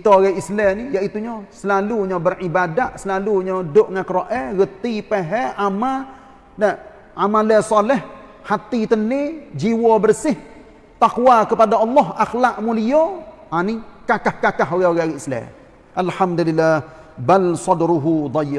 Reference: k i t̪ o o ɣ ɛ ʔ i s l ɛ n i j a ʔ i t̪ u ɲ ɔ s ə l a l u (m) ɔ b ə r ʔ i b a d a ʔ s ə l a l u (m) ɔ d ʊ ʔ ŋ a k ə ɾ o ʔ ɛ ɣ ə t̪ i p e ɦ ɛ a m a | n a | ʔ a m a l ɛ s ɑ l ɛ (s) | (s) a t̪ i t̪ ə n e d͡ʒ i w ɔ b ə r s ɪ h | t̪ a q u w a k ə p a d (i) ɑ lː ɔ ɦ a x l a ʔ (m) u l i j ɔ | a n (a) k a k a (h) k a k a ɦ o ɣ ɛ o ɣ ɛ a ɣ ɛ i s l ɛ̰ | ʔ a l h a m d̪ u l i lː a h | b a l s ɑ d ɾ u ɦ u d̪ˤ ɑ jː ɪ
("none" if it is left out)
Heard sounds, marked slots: ɲ, ɲ, h, h, a, m, i, h

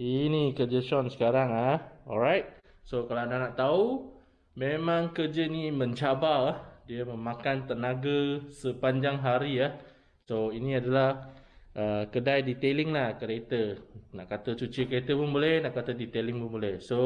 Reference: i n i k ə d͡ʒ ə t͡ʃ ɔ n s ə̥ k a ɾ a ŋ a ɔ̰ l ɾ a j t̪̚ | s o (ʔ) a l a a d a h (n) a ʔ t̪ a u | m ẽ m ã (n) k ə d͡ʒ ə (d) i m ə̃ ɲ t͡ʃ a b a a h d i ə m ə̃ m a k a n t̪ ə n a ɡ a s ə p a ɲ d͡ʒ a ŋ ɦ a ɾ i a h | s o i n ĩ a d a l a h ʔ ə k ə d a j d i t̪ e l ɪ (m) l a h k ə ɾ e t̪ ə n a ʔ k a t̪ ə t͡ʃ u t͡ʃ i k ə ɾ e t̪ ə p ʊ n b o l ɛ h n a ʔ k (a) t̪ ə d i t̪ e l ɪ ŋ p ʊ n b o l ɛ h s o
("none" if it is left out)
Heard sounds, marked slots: k, n, ŋ, n, ŋ, a

